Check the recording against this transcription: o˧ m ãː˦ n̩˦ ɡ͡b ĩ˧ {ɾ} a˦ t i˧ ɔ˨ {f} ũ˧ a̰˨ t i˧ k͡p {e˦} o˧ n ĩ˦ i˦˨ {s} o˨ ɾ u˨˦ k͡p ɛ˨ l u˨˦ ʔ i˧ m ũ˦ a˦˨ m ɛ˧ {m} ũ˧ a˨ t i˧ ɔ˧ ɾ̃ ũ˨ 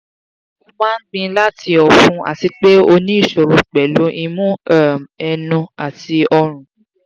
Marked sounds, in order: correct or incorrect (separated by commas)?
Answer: incorrect, correct, correct, incorrect, incorrect